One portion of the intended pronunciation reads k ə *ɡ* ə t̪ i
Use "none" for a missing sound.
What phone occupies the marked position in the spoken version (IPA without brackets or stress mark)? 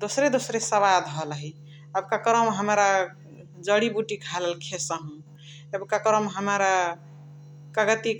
ɡ